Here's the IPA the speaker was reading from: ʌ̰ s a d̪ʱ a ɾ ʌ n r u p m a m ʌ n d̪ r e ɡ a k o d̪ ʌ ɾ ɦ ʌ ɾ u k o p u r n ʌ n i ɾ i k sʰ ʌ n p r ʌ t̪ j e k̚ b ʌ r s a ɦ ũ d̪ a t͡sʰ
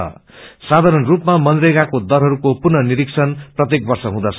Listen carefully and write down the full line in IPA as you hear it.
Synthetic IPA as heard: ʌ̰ s a d̪ʱ a ɾ ʌ n r u p m a m ʌ n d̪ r e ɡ a k o d̪ ʌ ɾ ɦ ʌ ɾ u k o p u r n ʌ n i ɾ i k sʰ ʌ n p r ʌ t̪ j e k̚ b ʌ r s ʌ ɦ ũ d̪ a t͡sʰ